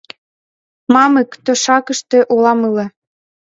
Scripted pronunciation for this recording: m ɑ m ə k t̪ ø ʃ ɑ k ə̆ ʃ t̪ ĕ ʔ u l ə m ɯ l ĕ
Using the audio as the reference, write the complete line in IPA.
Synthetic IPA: m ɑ m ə k t̪ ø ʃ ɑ k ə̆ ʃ t̪ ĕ ʔ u l ɑ m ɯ l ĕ